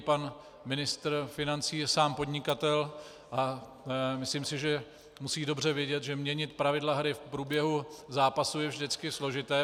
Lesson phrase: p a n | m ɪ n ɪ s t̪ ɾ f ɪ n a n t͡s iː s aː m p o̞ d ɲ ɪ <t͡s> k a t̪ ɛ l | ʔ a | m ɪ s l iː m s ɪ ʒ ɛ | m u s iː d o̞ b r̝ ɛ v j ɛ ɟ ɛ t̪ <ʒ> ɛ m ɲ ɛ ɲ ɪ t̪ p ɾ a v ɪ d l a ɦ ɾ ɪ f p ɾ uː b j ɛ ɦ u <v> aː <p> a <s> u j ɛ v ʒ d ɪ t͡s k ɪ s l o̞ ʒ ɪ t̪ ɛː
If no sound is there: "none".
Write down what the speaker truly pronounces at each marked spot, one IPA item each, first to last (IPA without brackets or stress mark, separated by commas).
none, ʒ, z, p, s